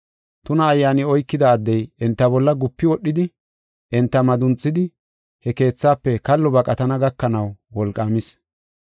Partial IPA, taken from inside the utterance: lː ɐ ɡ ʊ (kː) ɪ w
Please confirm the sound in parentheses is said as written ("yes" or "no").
no